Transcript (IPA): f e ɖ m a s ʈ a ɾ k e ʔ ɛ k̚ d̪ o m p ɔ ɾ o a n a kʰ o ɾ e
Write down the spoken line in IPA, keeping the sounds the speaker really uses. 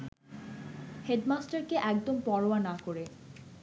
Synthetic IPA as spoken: h e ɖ m a s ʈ a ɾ k e ʔ ɛ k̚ d̪ o m p ɔ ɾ o a n a k o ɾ e